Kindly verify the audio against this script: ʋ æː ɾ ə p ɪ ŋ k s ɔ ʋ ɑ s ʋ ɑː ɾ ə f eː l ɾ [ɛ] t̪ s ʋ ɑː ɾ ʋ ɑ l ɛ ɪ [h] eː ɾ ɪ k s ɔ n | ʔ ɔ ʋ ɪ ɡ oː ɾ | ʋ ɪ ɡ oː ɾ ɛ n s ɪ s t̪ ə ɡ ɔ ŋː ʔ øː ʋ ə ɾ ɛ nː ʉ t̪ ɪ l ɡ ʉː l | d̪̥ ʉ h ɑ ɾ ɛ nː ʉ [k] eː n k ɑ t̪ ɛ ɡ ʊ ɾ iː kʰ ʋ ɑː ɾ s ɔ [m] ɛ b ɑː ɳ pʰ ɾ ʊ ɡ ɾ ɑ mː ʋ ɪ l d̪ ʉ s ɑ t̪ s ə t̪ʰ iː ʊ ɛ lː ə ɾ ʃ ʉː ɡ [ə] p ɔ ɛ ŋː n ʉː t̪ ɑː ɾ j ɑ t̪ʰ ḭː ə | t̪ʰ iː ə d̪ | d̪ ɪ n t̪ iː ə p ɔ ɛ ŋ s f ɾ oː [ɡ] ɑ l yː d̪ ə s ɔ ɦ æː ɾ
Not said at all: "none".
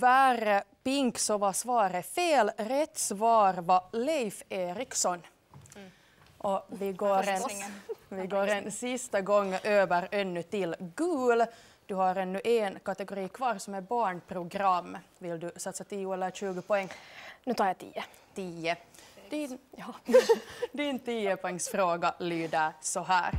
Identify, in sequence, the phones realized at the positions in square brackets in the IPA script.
ɛ, f, ʔ, m, ə, ɡ

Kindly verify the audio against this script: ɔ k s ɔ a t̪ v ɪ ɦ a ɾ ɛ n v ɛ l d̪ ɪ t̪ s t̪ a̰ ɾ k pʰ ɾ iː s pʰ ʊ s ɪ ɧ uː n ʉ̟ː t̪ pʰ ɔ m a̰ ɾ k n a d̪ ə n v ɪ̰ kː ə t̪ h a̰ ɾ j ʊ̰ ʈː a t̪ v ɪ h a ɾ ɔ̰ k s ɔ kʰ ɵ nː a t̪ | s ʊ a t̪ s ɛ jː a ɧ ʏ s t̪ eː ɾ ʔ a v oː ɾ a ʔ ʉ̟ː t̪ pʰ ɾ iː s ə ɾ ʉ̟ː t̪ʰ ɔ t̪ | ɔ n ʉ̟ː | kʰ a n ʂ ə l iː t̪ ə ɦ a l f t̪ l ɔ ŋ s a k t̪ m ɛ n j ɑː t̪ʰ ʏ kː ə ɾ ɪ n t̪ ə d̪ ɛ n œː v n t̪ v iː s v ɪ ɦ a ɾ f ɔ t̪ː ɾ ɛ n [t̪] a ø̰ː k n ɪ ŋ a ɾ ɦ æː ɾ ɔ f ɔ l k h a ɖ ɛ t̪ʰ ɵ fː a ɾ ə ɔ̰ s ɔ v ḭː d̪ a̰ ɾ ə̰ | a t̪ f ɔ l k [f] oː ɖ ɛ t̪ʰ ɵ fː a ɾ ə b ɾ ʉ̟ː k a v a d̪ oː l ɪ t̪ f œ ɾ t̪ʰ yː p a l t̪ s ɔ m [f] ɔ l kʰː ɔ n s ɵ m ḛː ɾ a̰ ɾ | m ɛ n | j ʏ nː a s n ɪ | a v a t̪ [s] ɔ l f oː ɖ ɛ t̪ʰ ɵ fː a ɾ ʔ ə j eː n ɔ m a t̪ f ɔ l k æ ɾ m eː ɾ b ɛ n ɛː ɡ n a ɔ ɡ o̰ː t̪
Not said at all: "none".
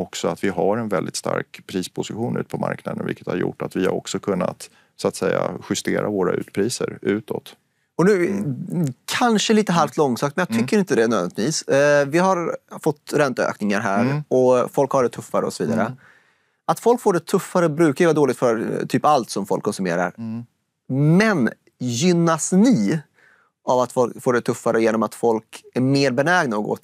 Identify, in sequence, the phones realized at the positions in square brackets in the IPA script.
t̪, f, f, f

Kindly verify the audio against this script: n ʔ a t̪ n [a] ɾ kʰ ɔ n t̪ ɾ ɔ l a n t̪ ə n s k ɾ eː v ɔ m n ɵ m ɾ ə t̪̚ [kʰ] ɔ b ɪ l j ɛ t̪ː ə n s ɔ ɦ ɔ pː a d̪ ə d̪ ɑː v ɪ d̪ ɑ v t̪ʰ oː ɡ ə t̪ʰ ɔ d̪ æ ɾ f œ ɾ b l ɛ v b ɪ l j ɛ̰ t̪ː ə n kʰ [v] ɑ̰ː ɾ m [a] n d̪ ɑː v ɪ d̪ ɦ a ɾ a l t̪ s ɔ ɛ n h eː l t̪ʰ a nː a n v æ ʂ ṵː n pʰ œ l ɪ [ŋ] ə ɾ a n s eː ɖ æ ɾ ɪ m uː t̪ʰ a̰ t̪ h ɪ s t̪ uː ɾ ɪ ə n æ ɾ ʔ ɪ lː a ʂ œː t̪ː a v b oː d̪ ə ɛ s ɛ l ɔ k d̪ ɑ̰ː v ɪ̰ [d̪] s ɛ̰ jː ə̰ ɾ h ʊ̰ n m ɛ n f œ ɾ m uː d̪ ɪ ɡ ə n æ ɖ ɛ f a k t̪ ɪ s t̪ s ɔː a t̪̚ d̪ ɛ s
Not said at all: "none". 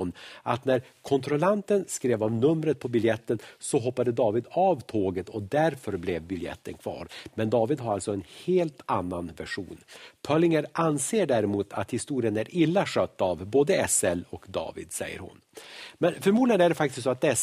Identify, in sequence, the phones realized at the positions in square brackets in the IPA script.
æ, pʰ, v, ɛ, ŋ, d̪

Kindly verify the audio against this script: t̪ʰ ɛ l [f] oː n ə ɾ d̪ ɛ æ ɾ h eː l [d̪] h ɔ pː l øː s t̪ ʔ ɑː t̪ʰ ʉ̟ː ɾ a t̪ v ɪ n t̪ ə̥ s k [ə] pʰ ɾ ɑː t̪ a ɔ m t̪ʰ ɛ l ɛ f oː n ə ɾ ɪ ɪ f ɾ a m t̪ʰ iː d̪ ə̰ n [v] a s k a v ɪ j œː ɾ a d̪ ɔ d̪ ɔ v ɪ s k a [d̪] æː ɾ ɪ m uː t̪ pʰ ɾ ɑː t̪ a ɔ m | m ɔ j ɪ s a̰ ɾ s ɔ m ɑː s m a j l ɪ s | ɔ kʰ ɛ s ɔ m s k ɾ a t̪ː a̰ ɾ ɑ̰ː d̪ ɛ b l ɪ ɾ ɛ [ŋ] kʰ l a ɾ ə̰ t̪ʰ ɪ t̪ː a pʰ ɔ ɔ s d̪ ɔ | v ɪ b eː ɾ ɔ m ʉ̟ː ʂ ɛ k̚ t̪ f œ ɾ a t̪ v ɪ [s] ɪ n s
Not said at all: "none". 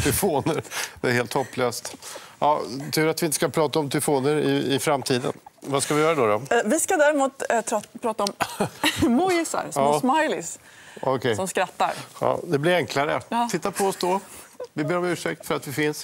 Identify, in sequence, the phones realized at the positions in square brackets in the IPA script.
f, t̪, a, v, d̪, ŋ, f

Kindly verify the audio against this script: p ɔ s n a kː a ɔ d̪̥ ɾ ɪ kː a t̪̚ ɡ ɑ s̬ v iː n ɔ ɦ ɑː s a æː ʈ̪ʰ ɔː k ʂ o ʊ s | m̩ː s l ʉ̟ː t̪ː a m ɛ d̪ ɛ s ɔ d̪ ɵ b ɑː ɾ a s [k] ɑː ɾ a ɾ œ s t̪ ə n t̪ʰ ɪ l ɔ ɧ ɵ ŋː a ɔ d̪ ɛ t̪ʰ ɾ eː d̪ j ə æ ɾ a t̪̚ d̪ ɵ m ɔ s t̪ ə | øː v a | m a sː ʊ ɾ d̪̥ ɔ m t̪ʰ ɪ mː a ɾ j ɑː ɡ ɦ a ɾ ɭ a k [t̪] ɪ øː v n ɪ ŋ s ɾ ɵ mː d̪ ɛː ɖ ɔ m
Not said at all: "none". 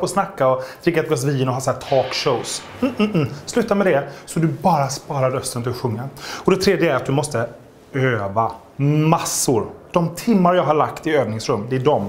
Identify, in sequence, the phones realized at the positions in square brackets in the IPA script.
p, t̪

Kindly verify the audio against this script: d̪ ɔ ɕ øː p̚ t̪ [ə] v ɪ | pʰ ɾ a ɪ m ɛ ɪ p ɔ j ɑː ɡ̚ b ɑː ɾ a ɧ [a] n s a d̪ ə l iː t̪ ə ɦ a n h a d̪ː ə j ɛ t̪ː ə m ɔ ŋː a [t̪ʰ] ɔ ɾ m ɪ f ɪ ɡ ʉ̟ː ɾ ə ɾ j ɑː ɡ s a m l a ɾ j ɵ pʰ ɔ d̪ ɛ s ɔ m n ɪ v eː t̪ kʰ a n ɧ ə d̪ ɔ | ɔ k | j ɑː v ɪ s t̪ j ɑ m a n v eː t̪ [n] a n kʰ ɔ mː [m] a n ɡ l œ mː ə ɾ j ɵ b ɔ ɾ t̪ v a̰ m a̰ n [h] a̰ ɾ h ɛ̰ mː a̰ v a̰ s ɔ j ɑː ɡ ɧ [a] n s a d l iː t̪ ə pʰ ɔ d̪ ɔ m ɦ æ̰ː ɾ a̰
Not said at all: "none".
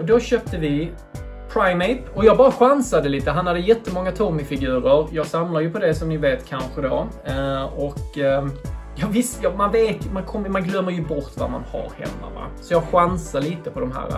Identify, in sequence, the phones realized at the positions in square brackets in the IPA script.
ə, a, t̪ʰ, m, m, h, a

